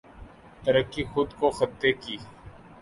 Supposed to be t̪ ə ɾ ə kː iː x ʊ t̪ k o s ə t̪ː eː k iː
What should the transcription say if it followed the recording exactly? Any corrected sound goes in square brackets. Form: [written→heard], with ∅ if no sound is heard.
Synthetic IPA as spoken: t̪ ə ɾ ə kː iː x ʊ [t̪→d̪] k o [s→x] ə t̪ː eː k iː